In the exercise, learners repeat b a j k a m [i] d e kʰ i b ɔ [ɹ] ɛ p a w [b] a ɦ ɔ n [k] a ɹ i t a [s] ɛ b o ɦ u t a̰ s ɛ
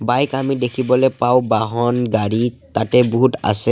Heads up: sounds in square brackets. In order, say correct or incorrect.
correct, incorrect: l, correct, incorrect: ɡ, incorrect: t

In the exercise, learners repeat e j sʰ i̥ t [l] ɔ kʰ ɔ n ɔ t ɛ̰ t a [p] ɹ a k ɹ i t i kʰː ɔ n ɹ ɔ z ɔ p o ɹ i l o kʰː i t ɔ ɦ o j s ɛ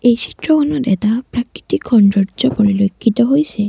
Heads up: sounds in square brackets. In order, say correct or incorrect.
incorrect: ɹ, correct

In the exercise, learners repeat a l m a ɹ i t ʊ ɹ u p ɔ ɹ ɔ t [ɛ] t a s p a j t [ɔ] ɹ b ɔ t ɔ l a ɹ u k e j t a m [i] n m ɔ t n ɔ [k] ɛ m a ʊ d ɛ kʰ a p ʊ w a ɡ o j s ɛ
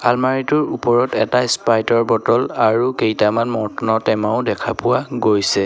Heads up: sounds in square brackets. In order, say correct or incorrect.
correct, correct, incorrect: a, incorrect: t

